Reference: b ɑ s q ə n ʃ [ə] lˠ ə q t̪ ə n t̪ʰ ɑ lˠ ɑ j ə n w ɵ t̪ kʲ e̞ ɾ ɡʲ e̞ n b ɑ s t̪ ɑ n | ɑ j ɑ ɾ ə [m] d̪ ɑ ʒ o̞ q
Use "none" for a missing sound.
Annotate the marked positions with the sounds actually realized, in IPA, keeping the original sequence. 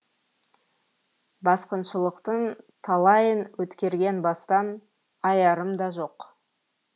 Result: ə, m

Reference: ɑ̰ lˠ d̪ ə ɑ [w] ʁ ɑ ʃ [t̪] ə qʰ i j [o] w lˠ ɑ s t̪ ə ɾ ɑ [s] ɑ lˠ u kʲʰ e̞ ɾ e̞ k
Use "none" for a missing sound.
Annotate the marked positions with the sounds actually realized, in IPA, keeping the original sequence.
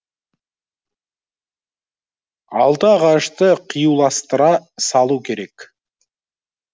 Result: none, t̪, u, s

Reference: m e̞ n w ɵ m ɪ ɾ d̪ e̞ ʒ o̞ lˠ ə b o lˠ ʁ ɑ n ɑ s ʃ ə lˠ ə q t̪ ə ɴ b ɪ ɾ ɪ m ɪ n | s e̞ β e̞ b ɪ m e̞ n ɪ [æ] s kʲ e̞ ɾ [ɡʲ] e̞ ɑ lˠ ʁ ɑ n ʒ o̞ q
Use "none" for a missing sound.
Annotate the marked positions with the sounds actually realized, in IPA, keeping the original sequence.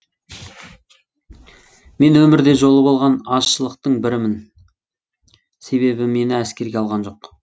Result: æ, ɡʲ

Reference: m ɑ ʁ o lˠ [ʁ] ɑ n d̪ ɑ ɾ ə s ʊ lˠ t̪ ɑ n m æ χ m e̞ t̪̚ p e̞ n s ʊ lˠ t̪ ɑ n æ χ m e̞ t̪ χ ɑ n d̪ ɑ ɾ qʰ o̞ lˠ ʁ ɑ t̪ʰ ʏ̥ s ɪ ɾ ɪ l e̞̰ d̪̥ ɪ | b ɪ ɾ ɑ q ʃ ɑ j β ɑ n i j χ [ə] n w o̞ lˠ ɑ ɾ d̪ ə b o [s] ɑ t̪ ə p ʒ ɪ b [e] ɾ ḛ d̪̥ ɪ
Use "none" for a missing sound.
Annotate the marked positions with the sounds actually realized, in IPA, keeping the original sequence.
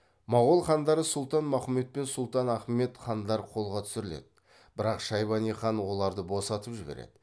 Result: χ, ɑ, s, e

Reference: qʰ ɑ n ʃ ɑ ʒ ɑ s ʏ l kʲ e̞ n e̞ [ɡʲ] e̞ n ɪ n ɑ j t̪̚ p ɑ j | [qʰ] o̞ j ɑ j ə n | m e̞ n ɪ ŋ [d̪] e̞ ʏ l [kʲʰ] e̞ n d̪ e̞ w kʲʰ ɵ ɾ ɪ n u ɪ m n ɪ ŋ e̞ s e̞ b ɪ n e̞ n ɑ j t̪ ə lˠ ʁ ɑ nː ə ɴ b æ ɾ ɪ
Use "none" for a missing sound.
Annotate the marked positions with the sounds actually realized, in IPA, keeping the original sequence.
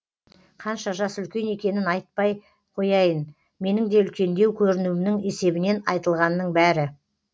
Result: kʲ, qʰ, d̪, kʲ

